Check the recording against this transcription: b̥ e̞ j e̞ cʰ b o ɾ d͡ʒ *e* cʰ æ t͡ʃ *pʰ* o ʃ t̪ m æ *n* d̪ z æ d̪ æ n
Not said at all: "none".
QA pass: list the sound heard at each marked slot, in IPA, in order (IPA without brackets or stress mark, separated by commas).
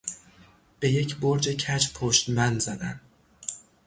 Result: e, pʰ, n